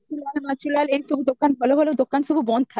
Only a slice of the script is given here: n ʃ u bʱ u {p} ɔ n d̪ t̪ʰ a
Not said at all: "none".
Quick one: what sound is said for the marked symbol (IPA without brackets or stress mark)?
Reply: b